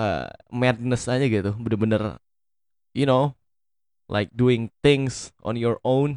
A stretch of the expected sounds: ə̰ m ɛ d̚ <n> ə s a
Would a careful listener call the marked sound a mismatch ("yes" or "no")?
no